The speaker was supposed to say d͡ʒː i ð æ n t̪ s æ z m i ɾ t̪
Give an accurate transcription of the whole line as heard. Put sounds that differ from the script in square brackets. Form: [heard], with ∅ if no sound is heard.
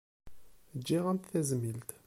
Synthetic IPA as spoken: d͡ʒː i [ʁ] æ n t̪ [θ] æ z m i [l] t̪